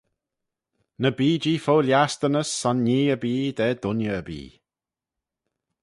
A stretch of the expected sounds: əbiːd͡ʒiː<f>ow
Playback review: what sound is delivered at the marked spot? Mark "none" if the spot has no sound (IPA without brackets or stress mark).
f